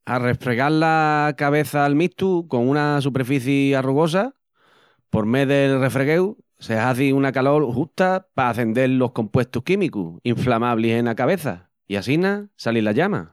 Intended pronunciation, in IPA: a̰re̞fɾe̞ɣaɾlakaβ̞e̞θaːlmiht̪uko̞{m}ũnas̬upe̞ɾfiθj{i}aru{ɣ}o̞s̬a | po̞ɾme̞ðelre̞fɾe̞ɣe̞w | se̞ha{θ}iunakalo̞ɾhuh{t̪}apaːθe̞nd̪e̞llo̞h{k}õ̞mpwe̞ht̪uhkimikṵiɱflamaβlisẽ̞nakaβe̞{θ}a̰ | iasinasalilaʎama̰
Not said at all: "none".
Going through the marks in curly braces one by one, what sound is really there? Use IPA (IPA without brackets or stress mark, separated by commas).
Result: ŋ, i, ɣ, θ, t̪, k, θ